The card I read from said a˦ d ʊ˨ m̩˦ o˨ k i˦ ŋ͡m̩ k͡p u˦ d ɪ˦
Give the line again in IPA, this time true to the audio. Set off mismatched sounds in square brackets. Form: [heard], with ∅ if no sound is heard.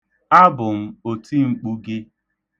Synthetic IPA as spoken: a˦ [b] ʊ˨ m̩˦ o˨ [t] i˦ ŋ͡m̩ k͡p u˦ [ɡ] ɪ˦